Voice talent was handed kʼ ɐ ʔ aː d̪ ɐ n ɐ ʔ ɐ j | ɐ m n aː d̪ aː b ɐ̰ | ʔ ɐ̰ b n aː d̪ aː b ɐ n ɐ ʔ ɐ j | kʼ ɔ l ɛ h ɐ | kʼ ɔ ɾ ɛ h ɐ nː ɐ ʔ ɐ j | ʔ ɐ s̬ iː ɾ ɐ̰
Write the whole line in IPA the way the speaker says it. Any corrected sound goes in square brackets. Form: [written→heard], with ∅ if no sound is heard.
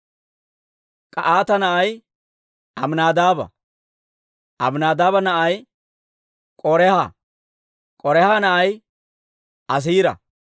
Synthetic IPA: kʼ ɐ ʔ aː [d̪→t̪] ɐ n ɐ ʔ ɐ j | ɐ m n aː d̪ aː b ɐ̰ | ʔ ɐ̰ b n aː d̪ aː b ɐ n ɐ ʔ ɐ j | kʼ ɔ [l→ɾ] ɛ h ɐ | kʼ ɔ ɾ ɛ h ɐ [nː→n] ɐ ʔ ɐ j | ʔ ɐ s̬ iː ɾ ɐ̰